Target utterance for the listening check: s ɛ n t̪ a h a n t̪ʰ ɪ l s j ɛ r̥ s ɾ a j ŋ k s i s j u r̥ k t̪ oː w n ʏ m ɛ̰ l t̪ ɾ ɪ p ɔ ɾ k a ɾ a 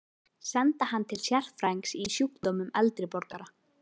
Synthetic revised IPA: s ɛ n t̪ a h a n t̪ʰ ɪ l s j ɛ r̥ f ɾ a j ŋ k s i s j u k t̪ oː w m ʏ m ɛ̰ l t̪ ɾ ɪ p ɔ ɾ k a ɾ a